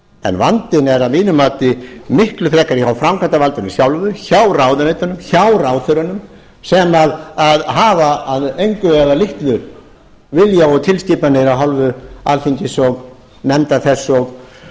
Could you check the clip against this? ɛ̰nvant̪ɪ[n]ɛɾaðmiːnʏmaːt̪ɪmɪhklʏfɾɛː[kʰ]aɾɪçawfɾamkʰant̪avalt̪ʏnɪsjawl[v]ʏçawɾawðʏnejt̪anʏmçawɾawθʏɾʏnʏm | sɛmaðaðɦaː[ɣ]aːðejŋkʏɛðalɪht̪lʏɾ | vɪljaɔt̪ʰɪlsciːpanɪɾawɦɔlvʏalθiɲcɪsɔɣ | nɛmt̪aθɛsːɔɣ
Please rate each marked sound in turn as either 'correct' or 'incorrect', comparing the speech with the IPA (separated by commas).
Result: correct, incorrect, correct, incorrect